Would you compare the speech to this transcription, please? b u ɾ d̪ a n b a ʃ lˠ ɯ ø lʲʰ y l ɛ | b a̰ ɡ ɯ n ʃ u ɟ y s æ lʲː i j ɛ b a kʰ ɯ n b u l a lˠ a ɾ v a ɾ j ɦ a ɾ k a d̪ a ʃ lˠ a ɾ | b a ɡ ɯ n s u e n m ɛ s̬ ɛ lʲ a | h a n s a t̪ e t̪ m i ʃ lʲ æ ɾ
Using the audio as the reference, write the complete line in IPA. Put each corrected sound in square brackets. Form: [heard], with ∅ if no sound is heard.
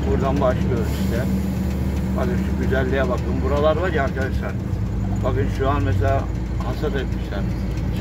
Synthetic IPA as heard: b u ɾ d̪ a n b a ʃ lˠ ɯ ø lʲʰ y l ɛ | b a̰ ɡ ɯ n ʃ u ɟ y [z] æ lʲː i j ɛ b a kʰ ɯ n b u [ɾ] a lˠ a ɾ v a ɾ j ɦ a ɾ k a d̪ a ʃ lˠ a ɾ | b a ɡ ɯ n [ʃ] u [a] n m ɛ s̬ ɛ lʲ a | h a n s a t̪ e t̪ m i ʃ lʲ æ ɾ

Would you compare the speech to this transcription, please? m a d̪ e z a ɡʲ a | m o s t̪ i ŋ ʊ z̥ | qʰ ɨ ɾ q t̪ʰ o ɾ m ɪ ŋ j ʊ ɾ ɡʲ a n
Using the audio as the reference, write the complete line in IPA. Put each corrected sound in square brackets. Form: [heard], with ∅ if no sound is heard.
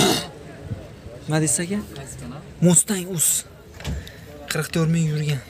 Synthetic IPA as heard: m a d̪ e [s] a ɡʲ a | m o s t̪ [a] ŋ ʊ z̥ | qʰ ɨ ɾ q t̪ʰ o ɾ m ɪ ŋ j ʊ ɾ ɡʲ a n

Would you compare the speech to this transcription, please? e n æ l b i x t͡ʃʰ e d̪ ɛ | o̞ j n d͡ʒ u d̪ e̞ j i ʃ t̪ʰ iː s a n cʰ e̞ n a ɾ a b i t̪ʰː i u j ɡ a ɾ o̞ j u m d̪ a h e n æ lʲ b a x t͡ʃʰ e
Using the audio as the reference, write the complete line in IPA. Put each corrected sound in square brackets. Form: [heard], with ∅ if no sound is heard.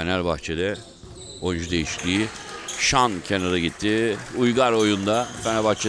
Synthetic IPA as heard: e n æ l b [a] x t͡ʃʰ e d̪ ɛ | o̞ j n d͡ʒ u d̪ e̞ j i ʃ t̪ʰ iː [ʃ] a n cʰ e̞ n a ɾ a [ɟ] i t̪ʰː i u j ɡ a ɾ o̞ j u [n] d̪ a [f] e n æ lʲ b a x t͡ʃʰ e

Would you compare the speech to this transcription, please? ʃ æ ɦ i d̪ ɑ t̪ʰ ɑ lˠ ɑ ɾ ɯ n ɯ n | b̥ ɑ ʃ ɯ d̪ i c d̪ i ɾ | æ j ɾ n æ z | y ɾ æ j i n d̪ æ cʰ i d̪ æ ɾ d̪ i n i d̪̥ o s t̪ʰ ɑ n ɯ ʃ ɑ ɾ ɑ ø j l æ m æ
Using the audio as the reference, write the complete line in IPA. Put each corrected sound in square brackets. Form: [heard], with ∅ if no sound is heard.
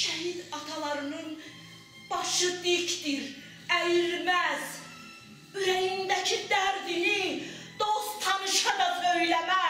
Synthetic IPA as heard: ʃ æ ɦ i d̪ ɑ t̪ʰ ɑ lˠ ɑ ɾ ɯ n ɯ n | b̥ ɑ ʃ ɯ d̪ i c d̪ i ɾ | æ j ɾ [m] æ z | y ɾ æ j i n d̪ æ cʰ i d̪ æ ɾ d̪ i n i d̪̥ o s t̪ʰ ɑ n ɯ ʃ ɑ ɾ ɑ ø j l æ m æ

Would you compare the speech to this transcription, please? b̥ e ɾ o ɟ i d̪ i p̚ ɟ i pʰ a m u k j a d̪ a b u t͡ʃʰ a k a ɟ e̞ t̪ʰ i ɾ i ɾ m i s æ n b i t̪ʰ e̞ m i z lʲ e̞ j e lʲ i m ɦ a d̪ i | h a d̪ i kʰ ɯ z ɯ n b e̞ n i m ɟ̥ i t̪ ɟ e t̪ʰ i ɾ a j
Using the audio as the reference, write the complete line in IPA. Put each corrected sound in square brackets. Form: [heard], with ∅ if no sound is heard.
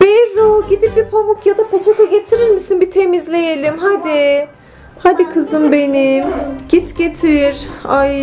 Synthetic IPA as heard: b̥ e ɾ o ɟ i d̪ i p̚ [b] i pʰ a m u k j a d̪ a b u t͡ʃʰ a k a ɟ e̞ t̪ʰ i ɾ i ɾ m i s [i] n b i t̪ʰ e̞ m i z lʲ e̞ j e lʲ i m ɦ a d̪ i | h a d̪ i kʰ ɯ z ɯ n b e̞ n i m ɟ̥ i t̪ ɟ e t̪ʰ i ɾ a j

